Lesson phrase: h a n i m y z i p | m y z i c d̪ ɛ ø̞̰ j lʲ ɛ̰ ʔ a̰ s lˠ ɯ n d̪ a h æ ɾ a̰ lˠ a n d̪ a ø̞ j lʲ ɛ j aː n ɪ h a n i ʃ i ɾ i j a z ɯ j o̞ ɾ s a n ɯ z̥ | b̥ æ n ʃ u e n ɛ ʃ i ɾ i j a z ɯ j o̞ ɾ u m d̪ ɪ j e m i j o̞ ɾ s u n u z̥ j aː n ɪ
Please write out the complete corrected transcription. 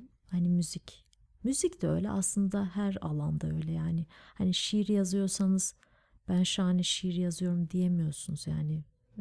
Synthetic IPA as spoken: h a n i m y z i c | m y z i c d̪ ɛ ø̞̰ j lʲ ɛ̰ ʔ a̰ s lˠ ɯ n d̪ a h æ ɾ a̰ lˠ a n d̪ a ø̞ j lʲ ɛ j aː n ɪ h a n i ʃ i ɾ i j a z ɯ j o̞ ɾ s a n ɯ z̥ | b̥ æ n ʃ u a n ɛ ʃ i ɾ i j a z ɯ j o̞ ɾ u m d̪ i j e m i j o̞ ɾ s u n u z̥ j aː n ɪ